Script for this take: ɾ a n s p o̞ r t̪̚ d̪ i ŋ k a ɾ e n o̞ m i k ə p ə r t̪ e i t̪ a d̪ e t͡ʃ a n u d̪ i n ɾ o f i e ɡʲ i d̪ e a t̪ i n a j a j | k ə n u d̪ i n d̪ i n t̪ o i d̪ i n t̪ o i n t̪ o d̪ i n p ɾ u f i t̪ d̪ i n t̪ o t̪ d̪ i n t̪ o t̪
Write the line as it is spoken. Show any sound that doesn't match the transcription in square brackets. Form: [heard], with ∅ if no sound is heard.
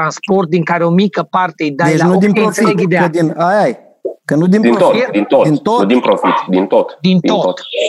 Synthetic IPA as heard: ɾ a n s p o̞ r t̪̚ d̪ i ŋ k a ɾ e [∅] o̞ m i k ə p [a] r t̪ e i [d̪] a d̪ e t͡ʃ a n u d̪ i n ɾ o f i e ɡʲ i d̪ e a [d̪] i n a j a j | k ə n u d̪ i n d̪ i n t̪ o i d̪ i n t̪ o i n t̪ o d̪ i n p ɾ [o] f i t̪ d̪ i n t̪ o t̪ d̪ i n t̪ o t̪